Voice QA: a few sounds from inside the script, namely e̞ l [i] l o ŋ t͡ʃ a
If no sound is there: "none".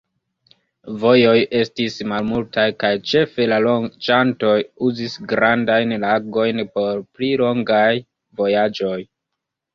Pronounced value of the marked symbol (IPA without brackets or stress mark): a